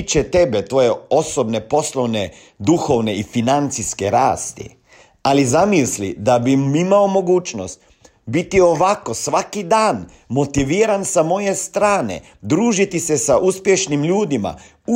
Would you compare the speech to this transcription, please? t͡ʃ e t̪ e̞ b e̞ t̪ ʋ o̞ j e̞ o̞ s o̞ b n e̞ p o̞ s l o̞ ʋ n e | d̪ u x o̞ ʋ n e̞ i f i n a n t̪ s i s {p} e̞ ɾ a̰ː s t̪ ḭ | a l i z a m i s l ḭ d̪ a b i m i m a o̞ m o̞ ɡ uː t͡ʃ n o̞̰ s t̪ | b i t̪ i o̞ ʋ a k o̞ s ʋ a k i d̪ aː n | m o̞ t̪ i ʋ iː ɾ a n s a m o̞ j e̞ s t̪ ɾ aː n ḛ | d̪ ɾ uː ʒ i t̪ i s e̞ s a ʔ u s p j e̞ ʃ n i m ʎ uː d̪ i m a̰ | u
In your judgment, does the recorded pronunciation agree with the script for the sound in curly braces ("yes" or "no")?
no